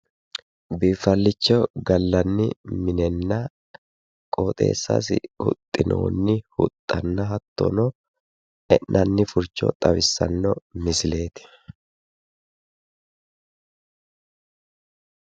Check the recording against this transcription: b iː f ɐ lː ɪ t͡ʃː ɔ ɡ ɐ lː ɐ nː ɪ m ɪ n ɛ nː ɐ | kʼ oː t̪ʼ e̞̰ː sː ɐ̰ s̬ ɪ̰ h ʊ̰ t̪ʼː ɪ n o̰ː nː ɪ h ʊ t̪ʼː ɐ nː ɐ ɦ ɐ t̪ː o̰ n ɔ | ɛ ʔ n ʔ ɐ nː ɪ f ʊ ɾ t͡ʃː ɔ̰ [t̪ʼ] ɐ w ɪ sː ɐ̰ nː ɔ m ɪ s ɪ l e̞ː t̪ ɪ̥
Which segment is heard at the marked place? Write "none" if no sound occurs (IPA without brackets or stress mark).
t̪ʼ